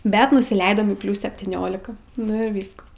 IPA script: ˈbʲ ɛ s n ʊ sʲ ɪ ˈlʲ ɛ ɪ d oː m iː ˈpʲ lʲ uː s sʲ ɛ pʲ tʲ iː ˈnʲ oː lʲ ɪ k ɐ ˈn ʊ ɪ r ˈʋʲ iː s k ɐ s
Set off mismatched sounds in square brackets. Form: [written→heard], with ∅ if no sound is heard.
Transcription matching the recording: ˈbʲ ɛ [s→t] n ʊ sʲ ɪ ˈlʲ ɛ ɪ d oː m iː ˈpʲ lʲ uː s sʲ ɛ pʲ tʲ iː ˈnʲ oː lʲ ɪ k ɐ ˈn ʊ ɪ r ˈʋʲ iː s k ɐ s